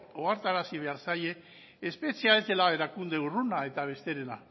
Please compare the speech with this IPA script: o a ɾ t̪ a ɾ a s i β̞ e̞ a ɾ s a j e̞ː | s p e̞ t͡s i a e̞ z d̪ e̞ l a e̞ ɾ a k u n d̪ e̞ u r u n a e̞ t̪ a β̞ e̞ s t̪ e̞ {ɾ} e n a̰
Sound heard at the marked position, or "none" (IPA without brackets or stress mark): ɾ